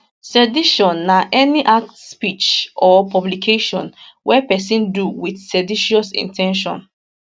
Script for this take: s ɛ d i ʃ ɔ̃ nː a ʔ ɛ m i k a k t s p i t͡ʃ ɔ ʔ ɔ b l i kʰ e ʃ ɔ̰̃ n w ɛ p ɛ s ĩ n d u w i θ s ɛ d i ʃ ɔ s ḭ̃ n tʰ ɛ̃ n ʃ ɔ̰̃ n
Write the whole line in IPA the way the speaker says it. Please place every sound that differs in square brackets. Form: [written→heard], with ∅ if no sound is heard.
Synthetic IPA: s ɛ d i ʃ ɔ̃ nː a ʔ ɛ [m→n] i [k→ʔ] a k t s p i t͡ʃ ɔ [ʔ→p] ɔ b l i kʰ e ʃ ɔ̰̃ n w ɛ p ɛ s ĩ n d u w i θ s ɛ d i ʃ ɔ s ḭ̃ n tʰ ɛ̃ n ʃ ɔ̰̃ n